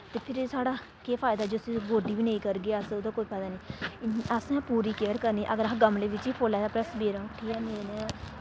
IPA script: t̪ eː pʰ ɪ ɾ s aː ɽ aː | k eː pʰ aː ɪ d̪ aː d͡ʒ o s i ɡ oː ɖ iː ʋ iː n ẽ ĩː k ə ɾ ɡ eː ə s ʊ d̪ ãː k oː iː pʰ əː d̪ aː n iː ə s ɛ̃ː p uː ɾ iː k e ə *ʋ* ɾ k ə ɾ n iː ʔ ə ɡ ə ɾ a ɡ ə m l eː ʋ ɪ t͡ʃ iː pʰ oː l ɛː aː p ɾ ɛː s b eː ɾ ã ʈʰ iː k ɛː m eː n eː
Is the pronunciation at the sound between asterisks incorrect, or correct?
incorrect